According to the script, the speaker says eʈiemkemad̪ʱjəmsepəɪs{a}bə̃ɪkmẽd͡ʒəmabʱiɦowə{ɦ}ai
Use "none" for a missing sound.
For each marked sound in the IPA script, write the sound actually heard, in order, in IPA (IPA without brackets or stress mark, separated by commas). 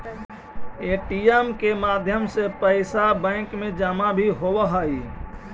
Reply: a, ɦ